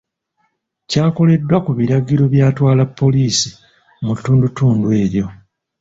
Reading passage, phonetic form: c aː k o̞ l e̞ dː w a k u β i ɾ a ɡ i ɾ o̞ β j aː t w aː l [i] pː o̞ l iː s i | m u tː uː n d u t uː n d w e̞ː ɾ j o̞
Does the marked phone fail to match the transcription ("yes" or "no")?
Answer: yes